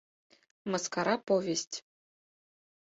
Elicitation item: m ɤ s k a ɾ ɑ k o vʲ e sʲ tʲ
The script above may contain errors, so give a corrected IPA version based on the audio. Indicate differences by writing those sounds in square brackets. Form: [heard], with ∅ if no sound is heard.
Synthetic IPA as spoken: m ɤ s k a ɾ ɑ [p] o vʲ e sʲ tʲ